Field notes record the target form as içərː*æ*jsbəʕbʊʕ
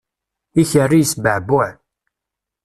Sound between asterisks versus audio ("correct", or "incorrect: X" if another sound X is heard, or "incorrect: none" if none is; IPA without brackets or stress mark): incorrect: i